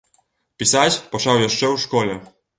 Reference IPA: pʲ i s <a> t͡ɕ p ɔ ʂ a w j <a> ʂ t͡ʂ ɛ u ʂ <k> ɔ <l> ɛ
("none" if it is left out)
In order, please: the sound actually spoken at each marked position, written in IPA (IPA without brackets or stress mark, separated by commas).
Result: a, ɛ, k, l